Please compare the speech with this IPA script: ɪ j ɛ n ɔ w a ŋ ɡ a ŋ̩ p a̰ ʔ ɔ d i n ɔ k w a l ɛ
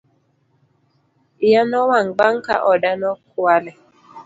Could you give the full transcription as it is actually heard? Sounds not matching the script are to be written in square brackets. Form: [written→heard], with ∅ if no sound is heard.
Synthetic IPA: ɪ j [ɛ→a] n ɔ w a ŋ [ɡ→ɡ͡b] a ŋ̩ [p→k] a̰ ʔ ɔ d [i→a] n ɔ k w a l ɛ